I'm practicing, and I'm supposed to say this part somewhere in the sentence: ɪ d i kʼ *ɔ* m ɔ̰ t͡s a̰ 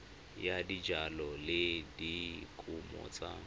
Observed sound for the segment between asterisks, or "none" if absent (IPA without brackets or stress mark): u